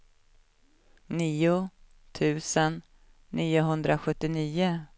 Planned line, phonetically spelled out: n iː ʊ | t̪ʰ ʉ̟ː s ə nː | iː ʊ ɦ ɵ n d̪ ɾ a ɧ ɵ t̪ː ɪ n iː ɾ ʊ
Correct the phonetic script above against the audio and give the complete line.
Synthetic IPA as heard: n iː ʊ | t̪ʰ ʉ̟ː s ə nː | iː ʊ ɦ ɵ n d̪ ɾ a ɧ ɵ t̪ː ɪ n iː ʊ